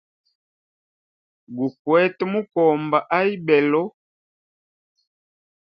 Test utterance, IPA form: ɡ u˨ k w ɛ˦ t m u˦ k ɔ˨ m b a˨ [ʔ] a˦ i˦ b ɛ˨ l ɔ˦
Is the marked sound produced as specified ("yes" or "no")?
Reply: yes